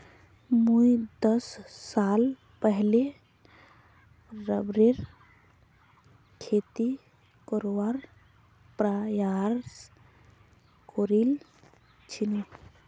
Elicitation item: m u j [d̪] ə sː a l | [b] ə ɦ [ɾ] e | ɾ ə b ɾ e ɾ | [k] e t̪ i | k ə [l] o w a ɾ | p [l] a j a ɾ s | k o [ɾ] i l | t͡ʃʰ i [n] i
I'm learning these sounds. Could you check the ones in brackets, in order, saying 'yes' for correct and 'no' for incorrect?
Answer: yes, no, no, no, no, no, yes, yes

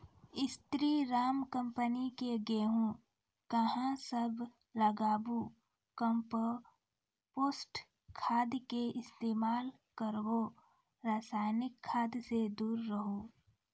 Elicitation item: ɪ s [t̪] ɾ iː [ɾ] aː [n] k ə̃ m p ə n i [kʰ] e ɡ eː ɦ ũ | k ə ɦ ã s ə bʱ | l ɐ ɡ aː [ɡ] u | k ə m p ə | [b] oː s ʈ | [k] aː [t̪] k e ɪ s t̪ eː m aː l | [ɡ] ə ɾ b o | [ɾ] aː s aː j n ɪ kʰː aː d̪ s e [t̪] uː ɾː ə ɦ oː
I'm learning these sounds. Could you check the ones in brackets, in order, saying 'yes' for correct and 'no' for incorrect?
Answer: yes, yes, no, no, no, no, no, no, no, yes, no

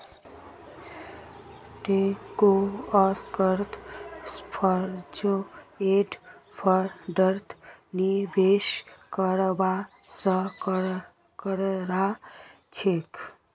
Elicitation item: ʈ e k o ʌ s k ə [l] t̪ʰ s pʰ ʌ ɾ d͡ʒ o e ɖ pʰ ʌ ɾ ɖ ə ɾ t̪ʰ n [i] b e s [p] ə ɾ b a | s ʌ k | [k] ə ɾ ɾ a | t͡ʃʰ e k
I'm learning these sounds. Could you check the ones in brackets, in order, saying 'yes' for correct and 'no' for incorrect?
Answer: no, yes, no, yes

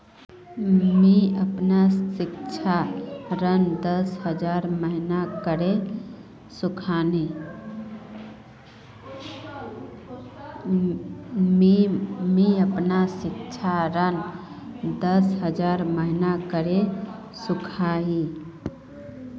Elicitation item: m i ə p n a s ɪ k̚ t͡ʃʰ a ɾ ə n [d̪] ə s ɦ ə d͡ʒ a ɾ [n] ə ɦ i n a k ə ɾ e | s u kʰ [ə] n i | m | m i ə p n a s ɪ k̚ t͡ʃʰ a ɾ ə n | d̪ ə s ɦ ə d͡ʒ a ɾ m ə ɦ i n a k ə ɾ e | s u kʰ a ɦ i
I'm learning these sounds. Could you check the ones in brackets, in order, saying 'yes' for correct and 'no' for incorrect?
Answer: yes, no, no

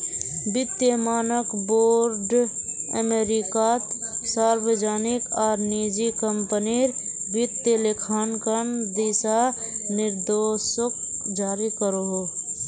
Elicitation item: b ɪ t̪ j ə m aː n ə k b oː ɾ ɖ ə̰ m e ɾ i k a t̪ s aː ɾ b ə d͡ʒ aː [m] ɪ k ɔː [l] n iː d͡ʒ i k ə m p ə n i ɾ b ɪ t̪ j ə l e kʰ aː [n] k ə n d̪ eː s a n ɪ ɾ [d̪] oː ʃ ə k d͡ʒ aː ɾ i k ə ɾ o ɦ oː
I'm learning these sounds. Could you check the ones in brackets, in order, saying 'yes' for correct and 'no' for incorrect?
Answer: no, no, yes, yes

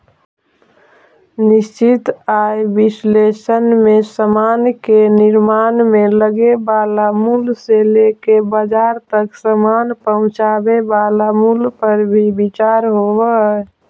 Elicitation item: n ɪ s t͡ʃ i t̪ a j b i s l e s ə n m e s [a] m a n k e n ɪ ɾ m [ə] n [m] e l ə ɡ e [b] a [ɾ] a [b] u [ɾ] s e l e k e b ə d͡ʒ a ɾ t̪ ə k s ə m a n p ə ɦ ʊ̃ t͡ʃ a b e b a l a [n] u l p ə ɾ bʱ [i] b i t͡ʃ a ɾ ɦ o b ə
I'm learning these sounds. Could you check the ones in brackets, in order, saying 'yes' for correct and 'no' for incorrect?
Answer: no, no, yes, yes, no, no, no, no, yes

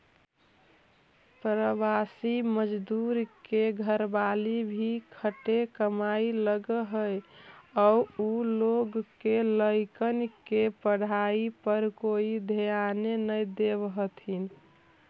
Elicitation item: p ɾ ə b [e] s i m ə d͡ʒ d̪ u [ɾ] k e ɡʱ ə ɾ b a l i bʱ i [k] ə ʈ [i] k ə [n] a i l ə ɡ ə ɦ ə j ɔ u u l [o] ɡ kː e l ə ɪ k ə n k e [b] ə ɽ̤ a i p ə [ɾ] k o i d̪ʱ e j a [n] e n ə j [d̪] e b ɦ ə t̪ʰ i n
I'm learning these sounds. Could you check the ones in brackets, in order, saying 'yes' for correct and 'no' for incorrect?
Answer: no, yes, no, no, no, yes, no, yes, yes, yes

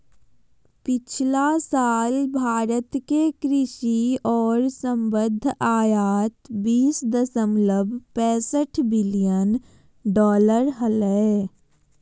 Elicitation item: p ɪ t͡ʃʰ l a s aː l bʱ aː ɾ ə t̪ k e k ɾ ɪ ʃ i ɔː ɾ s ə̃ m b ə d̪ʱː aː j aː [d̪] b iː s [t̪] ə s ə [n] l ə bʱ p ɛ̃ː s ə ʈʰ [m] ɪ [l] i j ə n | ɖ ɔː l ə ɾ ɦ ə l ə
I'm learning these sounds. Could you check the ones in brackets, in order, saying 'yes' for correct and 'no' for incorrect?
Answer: no, no, no, no, yes

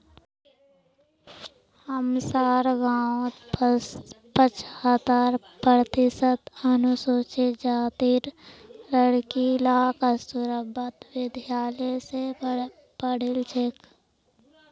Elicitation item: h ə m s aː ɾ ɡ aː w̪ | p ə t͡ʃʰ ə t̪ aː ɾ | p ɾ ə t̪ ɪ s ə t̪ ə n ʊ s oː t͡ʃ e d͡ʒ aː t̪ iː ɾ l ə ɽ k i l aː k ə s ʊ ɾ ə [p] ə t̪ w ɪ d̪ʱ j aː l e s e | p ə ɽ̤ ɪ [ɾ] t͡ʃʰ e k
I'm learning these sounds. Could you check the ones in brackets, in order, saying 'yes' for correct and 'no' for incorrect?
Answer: no, no

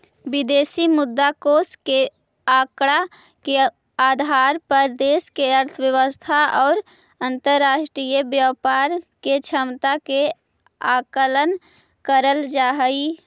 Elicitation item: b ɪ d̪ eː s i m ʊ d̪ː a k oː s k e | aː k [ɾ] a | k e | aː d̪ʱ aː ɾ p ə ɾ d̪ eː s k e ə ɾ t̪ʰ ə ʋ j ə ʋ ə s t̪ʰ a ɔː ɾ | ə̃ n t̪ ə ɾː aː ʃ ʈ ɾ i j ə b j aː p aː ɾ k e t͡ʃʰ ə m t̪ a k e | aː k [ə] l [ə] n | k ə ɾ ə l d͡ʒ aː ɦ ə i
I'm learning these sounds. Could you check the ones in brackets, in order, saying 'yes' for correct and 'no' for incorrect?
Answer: no, yes, yes

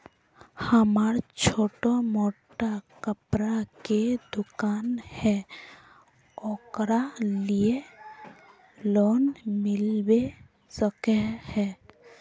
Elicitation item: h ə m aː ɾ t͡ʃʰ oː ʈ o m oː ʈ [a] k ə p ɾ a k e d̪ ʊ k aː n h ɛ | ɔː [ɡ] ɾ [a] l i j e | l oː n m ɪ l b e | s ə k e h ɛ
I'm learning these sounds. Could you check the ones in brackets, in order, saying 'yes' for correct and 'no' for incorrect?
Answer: yes, no, yes

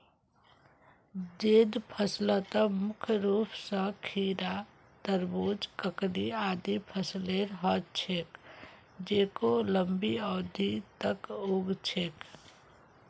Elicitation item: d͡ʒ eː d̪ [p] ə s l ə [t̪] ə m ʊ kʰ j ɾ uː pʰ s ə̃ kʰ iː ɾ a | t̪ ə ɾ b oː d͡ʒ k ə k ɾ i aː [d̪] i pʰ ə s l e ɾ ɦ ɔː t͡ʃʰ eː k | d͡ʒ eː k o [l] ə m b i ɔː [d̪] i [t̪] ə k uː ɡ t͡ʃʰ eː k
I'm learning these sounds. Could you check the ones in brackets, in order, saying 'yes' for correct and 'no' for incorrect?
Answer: no, yes, yes, yes, yes, yes

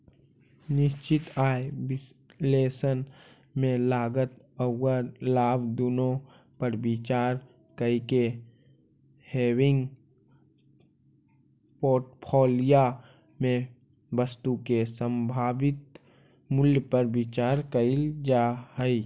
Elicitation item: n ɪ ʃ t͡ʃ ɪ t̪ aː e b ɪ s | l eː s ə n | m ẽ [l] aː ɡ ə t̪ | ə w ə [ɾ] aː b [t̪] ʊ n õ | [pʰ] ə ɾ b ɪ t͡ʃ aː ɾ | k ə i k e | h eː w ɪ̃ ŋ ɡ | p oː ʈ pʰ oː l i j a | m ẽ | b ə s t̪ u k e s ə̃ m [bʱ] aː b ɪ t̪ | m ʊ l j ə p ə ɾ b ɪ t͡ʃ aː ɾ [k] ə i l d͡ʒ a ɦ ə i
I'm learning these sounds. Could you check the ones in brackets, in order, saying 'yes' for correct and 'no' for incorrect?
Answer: yes, no, no, no, yes, yes

